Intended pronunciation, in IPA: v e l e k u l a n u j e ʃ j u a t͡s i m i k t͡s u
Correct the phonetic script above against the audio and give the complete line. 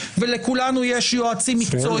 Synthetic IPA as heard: v e l e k u l a n u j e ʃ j o a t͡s i m i k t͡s o